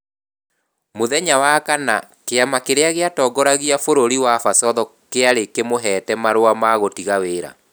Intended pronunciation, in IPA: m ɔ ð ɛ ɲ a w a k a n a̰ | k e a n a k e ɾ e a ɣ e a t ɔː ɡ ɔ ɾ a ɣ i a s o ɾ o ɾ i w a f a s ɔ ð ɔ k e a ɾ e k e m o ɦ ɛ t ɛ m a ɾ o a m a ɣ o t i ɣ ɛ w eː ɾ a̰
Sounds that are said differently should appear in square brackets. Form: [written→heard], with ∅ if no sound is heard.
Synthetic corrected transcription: m [ɔ→o] ð ɛ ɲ a w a k a n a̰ | k e a [n→m] a k e ɾ e a ɣ e a t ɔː ɡ ɔ ɾ a ɣ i a [s→f] o ɾ o ɾ i w a f a s ɔ ð ɔ k e a ɾ e k e m o ɦ ɛ t ɛ m a ɾ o a m a ɣ o t i ɣ [ɛ→a] w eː ɾ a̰